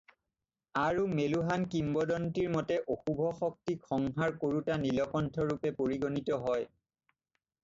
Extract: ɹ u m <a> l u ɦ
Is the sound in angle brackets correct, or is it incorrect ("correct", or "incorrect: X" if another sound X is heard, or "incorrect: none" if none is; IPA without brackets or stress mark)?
incorrect: e